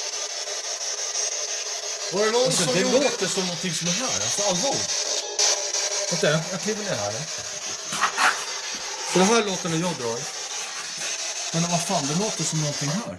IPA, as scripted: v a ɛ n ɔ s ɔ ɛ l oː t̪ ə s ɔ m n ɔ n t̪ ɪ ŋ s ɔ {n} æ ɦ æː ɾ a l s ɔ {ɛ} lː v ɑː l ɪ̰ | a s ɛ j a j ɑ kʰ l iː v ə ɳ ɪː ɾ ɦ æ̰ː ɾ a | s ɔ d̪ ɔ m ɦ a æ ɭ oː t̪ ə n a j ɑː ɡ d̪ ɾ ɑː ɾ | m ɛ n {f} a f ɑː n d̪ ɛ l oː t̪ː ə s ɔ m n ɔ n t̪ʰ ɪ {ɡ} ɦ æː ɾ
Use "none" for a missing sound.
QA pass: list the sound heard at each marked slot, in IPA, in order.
m, a, v, ŋ

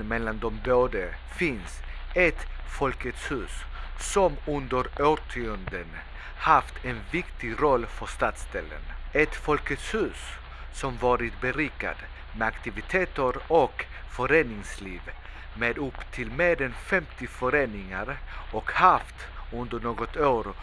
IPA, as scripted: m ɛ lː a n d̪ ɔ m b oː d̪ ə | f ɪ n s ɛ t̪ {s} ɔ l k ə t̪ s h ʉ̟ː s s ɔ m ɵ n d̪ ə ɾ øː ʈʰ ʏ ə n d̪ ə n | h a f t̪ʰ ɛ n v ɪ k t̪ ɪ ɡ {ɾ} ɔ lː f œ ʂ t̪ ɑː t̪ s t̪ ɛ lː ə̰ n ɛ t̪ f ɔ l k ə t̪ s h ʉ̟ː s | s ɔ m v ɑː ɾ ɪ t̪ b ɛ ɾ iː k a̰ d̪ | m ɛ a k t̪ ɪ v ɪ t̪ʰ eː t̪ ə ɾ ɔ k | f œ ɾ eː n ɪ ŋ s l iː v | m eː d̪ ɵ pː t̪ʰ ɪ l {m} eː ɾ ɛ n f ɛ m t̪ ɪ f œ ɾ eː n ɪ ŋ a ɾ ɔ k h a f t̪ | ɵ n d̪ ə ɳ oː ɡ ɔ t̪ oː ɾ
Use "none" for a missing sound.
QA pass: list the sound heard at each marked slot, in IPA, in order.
f, ɾ, m

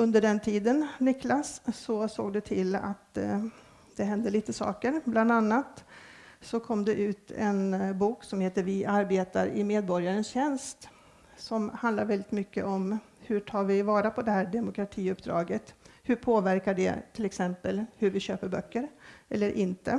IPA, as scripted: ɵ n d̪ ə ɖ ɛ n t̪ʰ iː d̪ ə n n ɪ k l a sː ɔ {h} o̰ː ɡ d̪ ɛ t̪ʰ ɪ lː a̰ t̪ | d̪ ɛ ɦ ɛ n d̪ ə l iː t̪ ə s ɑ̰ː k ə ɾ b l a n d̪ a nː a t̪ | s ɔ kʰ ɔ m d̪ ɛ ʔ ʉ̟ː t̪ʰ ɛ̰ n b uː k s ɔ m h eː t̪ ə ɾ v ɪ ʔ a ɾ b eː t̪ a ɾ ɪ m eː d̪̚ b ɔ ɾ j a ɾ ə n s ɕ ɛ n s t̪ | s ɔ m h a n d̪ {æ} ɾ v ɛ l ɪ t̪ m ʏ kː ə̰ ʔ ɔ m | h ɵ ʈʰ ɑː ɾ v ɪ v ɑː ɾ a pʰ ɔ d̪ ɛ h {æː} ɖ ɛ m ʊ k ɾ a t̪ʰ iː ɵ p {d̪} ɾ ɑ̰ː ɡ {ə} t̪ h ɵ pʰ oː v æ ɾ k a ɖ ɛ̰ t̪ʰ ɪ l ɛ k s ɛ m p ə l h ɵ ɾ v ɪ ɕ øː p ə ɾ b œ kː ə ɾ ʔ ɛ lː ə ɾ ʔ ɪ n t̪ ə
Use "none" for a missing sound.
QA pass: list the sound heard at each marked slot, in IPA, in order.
s, a, æː, d̪, ə

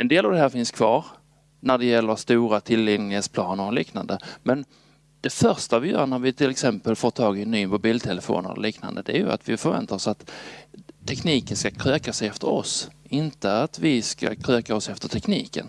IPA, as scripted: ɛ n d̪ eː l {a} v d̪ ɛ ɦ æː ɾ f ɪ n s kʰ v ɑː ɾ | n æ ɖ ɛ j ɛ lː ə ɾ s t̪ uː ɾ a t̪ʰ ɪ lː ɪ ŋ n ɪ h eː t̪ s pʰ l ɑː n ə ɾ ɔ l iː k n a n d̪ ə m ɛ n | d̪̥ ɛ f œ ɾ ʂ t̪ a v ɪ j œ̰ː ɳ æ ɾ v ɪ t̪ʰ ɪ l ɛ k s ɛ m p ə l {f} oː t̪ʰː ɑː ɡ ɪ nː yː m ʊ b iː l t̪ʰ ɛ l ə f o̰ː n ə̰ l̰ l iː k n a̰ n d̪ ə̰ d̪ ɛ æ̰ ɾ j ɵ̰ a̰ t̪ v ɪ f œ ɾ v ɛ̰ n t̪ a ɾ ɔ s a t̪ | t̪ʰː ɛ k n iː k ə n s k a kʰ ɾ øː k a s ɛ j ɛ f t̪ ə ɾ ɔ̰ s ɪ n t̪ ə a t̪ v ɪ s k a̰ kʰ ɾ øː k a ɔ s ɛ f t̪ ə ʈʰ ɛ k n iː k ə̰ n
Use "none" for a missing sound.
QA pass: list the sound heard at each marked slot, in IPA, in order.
a, f

